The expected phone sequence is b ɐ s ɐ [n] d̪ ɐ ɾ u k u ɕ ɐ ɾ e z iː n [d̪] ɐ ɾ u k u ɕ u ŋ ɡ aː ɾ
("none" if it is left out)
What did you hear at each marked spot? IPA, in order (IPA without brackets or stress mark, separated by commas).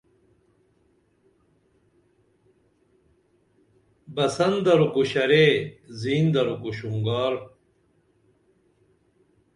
n, d̪